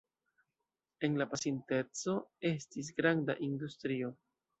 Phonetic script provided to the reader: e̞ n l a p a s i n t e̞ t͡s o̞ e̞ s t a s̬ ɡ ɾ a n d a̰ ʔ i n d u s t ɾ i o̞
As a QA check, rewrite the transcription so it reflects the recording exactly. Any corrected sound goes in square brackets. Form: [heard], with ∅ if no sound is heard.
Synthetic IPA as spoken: e̞ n l a p a s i n t e̞ t͡s o̞ e̞ s t [i] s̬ ɡ ɾ a n d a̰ ʔ i n d u s t ɾ i o̞